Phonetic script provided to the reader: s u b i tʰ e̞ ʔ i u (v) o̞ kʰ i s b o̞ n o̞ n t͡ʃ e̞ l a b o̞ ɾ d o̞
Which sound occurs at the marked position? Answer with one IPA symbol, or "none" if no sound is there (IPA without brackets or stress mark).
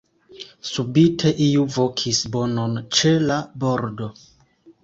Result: v